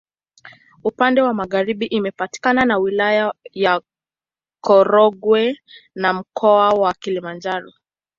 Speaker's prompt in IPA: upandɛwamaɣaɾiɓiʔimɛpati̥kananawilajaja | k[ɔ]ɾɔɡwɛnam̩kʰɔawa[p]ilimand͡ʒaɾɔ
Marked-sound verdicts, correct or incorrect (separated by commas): correct, incorrect